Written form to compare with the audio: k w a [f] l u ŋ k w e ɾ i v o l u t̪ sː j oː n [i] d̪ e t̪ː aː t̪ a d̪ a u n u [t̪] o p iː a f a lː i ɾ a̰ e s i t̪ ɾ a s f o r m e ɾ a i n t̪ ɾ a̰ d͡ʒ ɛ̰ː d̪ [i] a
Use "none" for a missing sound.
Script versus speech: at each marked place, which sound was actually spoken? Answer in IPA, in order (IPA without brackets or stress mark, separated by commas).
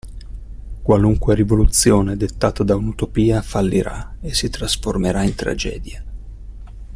none, e, t̪, j